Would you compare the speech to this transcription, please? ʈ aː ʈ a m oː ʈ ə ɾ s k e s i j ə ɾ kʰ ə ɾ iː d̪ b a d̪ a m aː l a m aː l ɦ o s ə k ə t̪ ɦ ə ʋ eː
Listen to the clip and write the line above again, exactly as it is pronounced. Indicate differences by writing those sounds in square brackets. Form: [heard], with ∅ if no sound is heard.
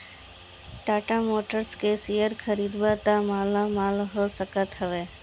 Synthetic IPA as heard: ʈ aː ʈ a m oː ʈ ə ɾ s k e s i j ə ɾ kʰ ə ɾ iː d̪ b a [t̪] a m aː l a m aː l ɦ o s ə k ə t̪ ɦ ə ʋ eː